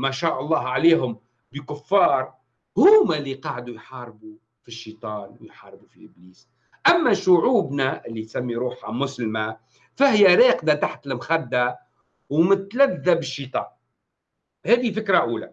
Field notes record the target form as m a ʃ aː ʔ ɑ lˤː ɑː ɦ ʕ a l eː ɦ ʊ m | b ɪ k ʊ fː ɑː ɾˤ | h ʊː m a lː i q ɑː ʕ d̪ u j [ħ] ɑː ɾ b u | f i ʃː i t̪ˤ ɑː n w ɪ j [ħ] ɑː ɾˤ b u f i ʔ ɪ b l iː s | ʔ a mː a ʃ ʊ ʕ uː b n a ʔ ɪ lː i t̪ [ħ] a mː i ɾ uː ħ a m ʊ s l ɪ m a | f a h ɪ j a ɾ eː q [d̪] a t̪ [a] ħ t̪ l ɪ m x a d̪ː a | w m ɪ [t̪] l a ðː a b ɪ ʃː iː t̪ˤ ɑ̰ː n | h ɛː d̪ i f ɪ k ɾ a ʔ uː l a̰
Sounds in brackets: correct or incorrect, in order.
correct, correct, incorrect: s, correct, correct, correct

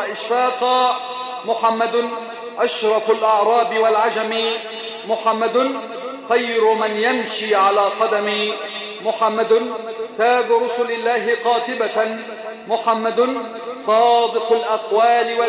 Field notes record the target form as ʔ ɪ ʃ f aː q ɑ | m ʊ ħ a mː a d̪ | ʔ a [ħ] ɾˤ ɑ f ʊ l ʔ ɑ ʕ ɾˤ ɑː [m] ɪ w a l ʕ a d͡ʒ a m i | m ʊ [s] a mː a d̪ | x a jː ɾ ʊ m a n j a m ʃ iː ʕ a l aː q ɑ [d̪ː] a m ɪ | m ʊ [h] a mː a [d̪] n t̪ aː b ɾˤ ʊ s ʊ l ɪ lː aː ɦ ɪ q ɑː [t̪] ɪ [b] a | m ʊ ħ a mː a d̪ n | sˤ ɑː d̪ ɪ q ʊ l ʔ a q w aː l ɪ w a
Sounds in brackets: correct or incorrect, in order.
incorrect: ʃ, incorrect: b, incorrect: ħ, incorrect: d̪, incorrect: ħ, correct, correct, correct

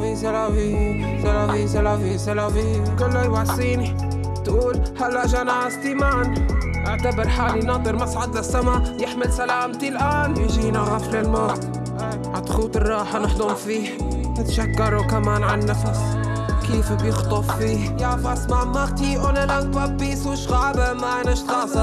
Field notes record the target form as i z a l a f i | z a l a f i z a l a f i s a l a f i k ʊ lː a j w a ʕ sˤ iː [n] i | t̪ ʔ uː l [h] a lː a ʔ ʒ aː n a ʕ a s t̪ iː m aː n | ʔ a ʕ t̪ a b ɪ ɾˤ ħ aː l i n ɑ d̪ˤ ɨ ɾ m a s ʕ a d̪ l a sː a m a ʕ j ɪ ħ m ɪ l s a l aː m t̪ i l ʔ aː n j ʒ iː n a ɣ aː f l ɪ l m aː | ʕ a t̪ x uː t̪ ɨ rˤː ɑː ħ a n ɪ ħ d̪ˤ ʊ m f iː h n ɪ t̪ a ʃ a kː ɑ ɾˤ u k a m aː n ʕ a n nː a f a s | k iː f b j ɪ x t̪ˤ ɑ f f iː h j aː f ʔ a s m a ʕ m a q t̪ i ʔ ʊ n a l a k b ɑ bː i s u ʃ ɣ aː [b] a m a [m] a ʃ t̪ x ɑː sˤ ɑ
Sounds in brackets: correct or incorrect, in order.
correct, correct, correct, incorrect: n

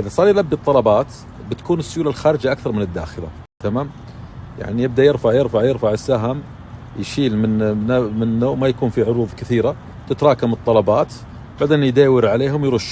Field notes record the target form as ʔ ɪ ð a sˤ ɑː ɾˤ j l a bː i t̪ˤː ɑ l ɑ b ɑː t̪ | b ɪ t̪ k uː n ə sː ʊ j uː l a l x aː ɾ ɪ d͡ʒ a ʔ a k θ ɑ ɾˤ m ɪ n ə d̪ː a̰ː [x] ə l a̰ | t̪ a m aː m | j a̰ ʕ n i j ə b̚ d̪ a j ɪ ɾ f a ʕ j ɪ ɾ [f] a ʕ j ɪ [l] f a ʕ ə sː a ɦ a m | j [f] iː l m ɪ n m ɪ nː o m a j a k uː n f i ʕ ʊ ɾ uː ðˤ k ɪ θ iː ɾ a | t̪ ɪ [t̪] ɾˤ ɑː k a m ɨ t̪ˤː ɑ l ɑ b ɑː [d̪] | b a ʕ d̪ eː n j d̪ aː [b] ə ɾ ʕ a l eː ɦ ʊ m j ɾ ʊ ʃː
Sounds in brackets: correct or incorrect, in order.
correct, correct, incorrect: ɾ, incorrect: ʃ, correct, incorrect: t̪, incorrect: w

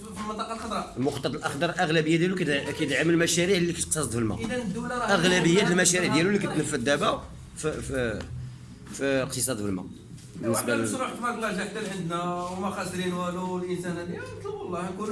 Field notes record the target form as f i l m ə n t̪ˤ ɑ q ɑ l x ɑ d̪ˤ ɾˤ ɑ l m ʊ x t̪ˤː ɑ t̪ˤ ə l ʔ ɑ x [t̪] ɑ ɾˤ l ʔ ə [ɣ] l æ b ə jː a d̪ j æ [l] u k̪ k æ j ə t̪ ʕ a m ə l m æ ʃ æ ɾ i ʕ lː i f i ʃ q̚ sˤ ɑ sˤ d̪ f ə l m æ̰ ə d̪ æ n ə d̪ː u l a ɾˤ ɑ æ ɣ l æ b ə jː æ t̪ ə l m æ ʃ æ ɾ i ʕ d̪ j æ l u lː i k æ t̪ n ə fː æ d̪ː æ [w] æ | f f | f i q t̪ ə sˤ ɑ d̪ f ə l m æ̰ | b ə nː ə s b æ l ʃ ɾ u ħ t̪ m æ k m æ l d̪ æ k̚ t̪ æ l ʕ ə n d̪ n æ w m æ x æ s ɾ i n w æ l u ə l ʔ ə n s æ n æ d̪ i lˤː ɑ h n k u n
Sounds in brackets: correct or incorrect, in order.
incorrect: d̪, correct, correct, incorrect: b

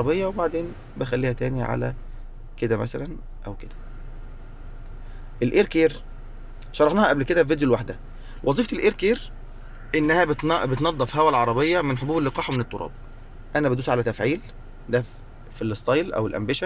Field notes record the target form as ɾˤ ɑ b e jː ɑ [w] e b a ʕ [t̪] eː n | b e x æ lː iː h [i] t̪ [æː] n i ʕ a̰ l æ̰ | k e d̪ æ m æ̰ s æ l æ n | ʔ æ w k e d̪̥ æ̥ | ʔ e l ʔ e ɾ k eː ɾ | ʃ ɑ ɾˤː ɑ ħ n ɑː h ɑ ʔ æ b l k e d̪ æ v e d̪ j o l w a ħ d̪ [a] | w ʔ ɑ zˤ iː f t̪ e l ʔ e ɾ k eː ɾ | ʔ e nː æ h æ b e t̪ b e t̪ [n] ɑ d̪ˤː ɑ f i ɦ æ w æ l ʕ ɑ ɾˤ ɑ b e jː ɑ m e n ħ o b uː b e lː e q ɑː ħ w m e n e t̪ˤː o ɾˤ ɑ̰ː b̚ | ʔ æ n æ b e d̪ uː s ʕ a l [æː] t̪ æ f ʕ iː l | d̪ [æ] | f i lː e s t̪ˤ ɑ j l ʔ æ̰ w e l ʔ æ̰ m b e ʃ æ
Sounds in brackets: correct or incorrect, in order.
correct, incorrect: d̪, incorrect: æ, correct, incorrect: æ, correct, incorrect: æ, correct

